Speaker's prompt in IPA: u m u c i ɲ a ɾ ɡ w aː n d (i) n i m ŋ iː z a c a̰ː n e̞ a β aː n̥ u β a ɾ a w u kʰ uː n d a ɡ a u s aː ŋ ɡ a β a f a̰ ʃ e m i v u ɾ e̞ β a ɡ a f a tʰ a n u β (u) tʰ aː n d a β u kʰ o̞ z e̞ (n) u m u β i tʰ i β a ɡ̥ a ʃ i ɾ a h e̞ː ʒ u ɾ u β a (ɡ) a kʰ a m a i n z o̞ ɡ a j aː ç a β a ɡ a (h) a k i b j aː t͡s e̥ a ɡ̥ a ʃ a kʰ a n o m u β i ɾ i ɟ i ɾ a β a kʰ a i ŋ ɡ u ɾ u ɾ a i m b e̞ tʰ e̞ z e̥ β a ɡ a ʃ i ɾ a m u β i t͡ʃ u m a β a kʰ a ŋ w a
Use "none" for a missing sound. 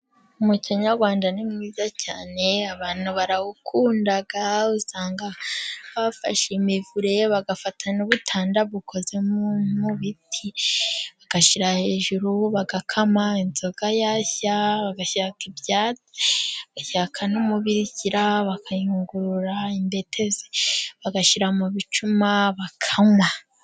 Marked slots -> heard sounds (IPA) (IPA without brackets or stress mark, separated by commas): a, u, m, ɡ, ʃ